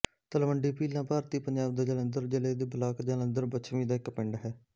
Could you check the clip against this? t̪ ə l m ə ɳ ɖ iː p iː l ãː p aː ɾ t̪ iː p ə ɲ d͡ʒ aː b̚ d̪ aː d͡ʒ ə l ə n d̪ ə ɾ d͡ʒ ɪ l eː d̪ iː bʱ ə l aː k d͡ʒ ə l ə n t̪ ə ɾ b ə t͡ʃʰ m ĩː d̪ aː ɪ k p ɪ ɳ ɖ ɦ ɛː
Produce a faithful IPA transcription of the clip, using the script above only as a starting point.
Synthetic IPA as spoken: t̪ ə l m ə ɳ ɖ iː p iː l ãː p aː ɾ t̪ iː p ə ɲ d͡ʒ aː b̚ d̪ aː d͡ʒ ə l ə n d̪ ə ɾ d͡ʒ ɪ l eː d̪ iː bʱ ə l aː k d͡ʒ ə l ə n d̪ ə ɾ b ə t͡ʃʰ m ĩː d̪ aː ɪ k p ɪ ɳ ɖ ɦ ɛː

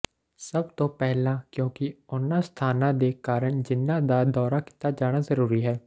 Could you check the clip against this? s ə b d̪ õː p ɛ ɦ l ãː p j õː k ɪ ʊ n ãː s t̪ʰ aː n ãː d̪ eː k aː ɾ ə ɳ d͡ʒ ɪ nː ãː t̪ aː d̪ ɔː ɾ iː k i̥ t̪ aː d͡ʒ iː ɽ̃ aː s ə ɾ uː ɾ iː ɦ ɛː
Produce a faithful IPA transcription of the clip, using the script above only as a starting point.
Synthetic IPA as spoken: s ə b t̪ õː p ɛ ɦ l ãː k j õː k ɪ ʊ n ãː s t̪ʰ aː n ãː d̪ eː k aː ɾ ə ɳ d͡ʒ ɪ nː ãː d̪ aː d̪ ɔː ɾ aː k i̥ t̪ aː d͡ʒ aː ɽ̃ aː z ə ɾ uː ɾ iː ɦ ɛː

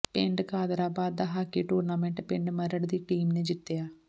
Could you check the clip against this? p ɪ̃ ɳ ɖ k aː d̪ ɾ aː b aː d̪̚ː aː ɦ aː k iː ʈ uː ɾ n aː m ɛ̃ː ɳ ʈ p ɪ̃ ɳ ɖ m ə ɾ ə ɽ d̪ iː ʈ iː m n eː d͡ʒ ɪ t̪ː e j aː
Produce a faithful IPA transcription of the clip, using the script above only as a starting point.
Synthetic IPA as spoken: p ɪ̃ ɳ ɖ k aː d̪ ɾ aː b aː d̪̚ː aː ɦ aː k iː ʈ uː ɾ n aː m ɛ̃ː ɳ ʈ p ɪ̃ ɳ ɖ m ə ɾ ə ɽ d̪ iː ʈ iː m n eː d͡ʒ ɪ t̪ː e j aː

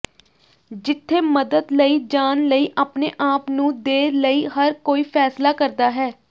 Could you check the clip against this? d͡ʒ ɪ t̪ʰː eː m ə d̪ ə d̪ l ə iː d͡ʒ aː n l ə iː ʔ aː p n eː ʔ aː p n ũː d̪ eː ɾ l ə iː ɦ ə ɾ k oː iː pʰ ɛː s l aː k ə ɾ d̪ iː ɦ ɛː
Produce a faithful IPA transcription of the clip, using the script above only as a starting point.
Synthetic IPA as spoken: d͡ʒ ɪ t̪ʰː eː m ə d̪ ə d̪ l ə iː d͡ʒ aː n l ə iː ʔ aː p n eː ʔ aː p n ũː d̪ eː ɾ l ə iː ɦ ə ɾ k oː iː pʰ ɛː s l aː k ə ɾ d̪ aː ɦ ɛː

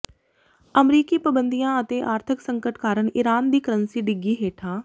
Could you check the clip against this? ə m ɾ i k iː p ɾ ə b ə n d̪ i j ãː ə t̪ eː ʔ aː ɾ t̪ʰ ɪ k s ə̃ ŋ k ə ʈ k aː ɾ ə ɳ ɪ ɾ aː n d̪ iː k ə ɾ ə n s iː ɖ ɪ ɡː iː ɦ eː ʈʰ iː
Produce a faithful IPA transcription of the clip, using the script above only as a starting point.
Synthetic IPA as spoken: ə m ɾ iː k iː p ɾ ə b ə n d̪ i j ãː ə t̪ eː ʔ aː ɾ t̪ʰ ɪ k s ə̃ ŋ k ə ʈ k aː ɾ ə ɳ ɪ ɾ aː n d̪ iː k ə ɾ ə n s iː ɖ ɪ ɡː iː ɦ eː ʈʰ aː

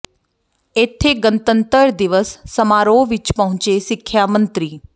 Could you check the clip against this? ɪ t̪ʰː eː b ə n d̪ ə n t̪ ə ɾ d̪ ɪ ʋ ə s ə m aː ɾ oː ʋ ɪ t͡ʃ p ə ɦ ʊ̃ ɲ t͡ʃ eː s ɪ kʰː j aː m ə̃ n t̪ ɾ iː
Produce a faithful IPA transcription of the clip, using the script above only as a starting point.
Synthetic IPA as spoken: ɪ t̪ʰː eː ɡ ə n t̪ ə n t̪ ə ɾ d̪ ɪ ʋ ə sː ə m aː ɾ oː ʋ ɪ t͡ʃ p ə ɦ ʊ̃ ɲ t͡ʃ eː s ɪ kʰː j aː m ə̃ n t̪ ɾ iː

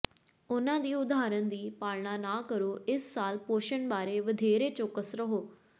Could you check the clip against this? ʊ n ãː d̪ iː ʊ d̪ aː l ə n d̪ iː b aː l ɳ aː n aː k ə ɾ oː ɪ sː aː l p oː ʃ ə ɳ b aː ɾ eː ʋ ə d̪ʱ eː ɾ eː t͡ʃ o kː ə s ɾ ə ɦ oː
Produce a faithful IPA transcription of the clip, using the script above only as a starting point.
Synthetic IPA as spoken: ʊ n ãː d̪ iː ʊ d̪ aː ɾ ə n d̪ iː p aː l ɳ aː n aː k ə ɾ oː ɪ sː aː l p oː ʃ ə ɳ b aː ɾ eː ʋ ə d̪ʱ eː ɾ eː t͡ʃ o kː ə s ɾ ə ɦ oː

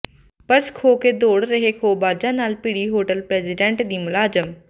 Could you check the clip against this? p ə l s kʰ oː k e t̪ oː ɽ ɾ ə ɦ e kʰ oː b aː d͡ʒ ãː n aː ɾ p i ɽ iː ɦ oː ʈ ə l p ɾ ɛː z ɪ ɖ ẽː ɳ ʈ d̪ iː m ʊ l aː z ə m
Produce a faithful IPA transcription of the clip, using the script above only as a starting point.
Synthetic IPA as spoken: p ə ɾ s kʰ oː k e d̪ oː ɽ ɾ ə ɦ e kʰ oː b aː d͡ʒ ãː n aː l p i ɽ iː ɦ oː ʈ ə l p ɾ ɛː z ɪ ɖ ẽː ɳ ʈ d̪ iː m ʊ l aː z ə m

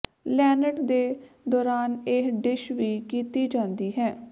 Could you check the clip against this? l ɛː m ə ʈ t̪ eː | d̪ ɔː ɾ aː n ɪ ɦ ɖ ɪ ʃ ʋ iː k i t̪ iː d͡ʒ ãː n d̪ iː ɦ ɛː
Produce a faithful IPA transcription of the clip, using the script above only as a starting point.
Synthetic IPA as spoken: l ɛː n ə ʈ d̪ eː | d̪ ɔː ɾ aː n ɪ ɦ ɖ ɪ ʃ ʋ iː k iː t̪ iː d͡ʒ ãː n d̪ iː ɦ ɛː

